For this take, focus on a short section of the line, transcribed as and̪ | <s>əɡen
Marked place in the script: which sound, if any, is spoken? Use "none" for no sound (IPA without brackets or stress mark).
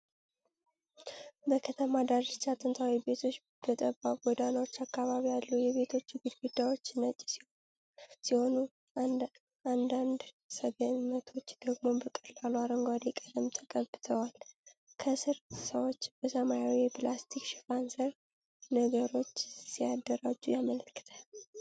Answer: s